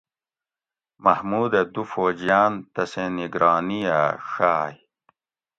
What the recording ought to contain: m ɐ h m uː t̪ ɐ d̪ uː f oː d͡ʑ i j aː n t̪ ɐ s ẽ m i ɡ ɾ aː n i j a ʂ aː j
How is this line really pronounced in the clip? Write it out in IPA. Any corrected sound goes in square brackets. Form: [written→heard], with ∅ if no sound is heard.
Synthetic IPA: m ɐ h m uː [t̪→d̪] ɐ d̪ [uː→u] f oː d͡ʑ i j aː n t̪ ɐ s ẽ [m→n] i ɡ ɾ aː n i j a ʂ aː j